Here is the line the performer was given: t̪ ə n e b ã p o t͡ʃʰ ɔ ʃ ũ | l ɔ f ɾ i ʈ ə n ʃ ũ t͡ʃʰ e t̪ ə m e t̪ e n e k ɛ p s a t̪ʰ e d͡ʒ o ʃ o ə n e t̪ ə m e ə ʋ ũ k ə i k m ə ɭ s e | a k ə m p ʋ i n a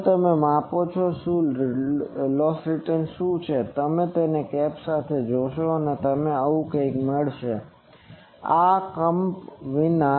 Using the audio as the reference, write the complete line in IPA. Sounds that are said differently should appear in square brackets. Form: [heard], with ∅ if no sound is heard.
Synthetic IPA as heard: t̪ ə [m] e [m] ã p o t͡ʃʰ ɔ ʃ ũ | l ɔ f ɾ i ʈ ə n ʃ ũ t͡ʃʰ e t̪ ə m e t̪ e n e k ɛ p s a t̪ʰ e d͡ʒ o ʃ o ə n e t̪ ə m e ə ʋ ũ k ə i k m ə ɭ [ʃ] e | a k ə m p ʋ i n a

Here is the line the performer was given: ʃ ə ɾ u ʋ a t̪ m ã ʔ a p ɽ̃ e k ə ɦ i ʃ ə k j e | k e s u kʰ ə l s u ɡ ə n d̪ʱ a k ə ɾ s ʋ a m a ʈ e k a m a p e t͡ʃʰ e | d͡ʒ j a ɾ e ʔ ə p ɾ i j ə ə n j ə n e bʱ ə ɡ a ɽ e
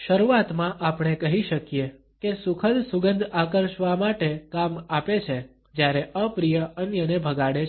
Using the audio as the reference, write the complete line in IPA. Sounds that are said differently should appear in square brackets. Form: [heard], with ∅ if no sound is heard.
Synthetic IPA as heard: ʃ ə ɾ u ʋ a t̪ m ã ʔ a p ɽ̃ e k ə ɦ i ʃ ə k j e | k e s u kʰ ə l s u ɡ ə n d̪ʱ a k ə ɾ [ʃ] ʋ a m a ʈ e k a m a p e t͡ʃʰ e | d͡ʒ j a ɾ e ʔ ə p ɾ i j ə ə n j ə n e bʱ ə ɡ a ɽ e

